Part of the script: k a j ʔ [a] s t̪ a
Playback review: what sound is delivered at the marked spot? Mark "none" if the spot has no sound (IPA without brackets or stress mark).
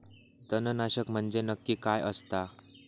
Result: ə